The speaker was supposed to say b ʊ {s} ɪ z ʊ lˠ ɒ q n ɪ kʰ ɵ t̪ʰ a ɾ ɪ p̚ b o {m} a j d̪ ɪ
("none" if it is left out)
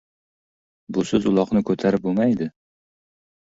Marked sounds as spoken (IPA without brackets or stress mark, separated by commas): s, m